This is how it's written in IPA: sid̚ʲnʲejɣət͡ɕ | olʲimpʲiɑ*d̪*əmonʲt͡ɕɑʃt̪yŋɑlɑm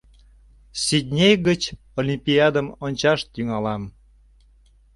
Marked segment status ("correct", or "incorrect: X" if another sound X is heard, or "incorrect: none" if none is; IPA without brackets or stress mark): correct